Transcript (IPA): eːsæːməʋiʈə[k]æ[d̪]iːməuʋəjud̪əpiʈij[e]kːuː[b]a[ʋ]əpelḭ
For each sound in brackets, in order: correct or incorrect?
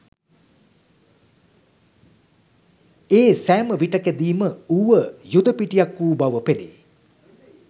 correct, correct, incorrect, correct, correct

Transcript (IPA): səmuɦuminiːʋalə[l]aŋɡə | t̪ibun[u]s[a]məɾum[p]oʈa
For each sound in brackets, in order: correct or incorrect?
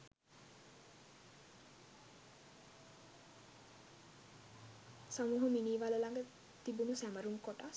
correct, correct, incorrect, incorrect

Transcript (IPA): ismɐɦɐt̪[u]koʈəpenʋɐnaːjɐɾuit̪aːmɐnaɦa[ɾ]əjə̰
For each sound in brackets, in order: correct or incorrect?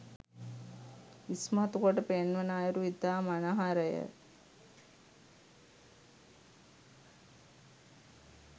correct, correct

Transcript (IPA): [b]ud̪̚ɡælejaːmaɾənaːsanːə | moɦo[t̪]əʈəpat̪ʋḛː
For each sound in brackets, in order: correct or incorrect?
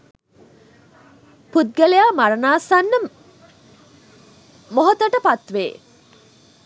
incorrect, correct

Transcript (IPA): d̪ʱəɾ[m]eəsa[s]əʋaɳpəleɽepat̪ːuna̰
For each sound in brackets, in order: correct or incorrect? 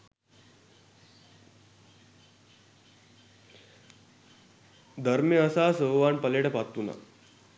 correct, correct

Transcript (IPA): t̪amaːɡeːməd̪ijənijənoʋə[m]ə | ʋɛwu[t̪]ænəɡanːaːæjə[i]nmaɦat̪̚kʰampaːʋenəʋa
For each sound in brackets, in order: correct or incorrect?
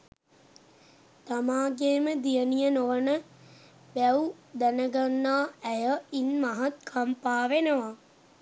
incorrect, incorrect, correct

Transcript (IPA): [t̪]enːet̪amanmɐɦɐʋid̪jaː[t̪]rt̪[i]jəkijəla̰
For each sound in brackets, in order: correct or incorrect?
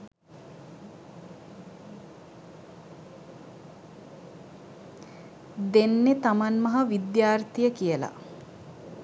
incorrect, incorrect, correct

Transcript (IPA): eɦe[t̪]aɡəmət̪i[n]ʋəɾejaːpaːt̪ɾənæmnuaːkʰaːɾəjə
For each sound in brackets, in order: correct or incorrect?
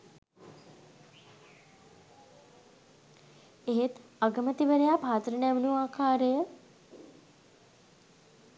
correct, incorrect

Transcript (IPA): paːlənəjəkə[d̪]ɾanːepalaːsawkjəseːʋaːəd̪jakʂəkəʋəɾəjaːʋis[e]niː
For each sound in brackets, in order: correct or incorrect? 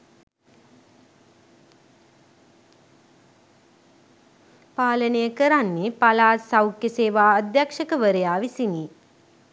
incorrect, incorrect

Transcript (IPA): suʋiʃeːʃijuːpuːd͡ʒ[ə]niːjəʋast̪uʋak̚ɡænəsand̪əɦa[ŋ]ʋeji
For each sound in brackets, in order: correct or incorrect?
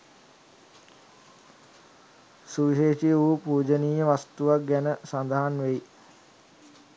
correct, incorrect

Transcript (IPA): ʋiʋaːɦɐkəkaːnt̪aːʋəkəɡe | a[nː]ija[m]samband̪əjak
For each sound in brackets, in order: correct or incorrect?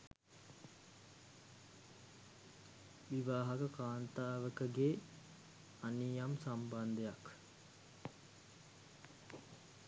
incorrect, correct

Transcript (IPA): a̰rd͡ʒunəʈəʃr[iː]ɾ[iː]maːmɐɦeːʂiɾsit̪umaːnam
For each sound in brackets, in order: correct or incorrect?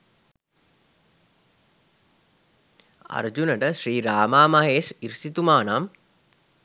correct, incorrect

